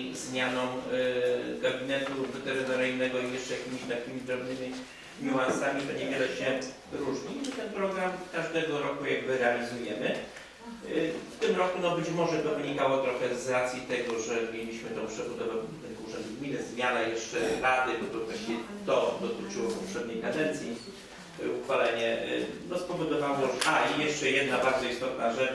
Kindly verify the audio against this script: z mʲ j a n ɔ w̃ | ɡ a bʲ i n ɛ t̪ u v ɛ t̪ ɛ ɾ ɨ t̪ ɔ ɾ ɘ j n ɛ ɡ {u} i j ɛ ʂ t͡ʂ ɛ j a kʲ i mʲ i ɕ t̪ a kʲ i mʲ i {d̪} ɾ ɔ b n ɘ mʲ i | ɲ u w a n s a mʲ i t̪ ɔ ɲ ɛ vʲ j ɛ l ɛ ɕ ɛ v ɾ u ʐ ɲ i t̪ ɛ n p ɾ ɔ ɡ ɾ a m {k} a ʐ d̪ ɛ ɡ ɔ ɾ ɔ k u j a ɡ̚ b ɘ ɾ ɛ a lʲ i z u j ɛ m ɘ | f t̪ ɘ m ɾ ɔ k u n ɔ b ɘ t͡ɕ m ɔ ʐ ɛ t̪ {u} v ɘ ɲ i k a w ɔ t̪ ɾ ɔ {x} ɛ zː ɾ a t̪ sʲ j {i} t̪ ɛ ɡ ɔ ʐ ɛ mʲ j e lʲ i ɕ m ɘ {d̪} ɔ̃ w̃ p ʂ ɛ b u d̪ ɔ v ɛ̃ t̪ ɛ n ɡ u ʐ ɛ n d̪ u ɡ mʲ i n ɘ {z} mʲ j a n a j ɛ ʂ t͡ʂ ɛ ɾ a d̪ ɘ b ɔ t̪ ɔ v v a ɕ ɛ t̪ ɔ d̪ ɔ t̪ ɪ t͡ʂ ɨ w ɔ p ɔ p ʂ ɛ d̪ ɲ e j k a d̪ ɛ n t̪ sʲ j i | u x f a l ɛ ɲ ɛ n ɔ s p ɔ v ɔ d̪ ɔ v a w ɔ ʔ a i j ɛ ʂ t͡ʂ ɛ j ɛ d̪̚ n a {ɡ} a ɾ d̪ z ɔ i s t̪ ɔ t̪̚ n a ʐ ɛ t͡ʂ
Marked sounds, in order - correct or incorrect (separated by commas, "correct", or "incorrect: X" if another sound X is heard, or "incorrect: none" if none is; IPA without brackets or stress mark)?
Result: incorrect: ɔ, correct, correct, incorrect: ɔ, correct, correct, incorrect: t̪, correct, incorrect: b